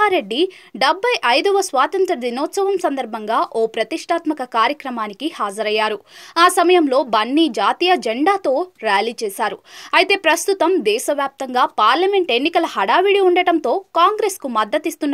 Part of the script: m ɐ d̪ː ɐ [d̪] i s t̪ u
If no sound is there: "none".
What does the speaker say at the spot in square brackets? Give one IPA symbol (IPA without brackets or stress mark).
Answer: t̪